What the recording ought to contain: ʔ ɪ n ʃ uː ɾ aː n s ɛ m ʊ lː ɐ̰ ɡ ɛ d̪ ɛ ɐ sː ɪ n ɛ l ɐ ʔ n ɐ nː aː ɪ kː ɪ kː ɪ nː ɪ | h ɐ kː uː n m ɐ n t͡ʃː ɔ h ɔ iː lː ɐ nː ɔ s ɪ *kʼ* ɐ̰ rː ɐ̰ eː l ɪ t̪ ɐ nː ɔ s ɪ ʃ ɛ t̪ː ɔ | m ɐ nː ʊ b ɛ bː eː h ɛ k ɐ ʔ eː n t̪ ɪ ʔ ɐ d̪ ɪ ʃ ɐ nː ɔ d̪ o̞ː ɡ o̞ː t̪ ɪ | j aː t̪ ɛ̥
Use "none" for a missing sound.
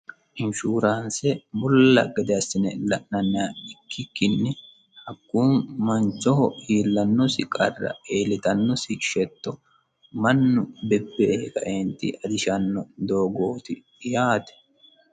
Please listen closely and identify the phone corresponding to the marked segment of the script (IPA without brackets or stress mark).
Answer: kʼ